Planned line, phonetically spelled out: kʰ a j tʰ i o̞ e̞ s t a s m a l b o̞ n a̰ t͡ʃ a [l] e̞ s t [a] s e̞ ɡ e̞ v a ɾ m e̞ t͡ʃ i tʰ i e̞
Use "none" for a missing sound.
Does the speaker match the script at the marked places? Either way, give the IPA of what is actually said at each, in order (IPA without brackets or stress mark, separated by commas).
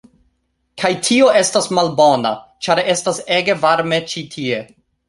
ɾ, a